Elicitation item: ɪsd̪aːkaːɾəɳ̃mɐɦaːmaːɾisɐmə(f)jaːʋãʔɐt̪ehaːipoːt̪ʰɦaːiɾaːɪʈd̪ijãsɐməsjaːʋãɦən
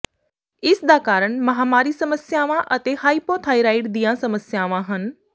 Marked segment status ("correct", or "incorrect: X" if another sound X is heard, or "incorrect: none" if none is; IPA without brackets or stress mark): incorrect: s